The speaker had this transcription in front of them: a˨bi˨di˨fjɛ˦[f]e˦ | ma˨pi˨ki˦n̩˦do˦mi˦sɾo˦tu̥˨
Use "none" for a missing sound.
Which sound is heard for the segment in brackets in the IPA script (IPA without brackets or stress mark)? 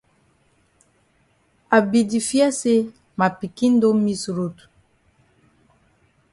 s